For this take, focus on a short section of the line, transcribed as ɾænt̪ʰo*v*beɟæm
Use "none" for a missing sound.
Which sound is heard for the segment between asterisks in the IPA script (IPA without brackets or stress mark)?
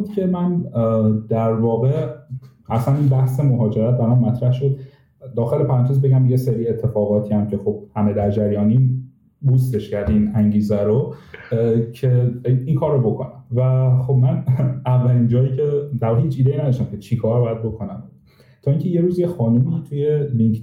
z